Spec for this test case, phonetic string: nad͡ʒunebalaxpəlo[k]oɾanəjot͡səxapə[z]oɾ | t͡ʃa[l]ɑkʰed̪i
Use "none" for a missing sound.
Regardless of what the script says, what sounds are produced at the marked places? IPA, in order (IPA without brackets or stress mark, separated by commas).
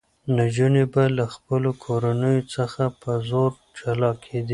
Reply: kʰ, z, l